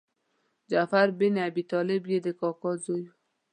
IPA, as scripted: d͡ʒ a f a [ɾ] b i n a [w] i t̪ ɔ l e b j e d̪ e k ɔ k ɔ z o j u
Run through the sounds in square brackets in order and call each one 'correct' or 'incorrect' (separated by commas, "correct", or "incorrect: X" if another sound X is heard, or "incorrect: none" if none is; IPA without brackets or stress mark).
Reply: correct, incorrect: b